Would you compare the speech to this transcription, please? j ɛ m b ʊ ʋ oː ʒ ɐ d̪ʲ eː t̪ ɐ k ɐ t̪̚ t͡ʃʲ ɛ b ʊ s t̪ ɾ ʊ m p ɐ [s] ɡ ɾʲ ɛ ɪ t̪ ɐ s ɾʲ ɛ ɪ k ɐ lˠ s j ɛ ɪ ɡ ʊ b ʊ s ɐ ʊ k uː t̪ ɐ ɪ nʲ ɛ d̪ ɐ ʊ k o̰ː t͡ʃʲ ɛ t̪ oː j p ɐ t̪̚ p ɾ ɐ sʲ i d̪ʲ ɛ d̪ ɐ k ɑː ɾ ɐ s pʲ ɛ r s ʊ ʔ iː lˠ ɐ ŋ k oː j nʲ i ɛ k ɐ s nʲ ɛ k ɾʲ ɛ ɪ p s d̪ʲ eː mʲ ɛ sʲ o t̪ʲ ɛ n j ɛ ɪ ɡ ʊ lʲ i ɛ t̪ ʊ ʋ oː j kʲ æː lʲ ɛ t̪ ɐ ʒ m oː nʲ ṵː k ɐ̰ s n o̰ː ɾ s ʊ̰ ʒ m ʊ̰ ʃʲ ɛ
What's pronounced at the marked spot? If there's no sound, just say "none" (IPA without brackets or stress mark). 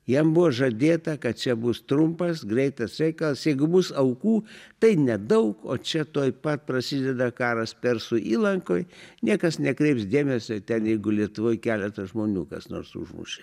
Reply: s